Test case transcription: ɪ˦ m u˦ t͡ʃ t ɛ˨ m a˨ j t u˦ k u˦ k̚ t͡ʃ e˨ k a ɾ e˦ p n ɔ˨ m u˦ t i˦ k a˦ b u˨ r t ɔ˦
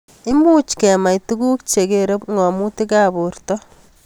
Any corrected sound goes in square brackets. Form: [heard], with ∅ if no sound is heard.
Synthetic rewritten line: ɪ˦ m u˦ t͡ʃ [k] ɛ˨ m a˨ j t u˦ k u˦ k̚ t͡ʃ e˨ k [e] ɾ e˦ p [ŋ] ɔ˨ m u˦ t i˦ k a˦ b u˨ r t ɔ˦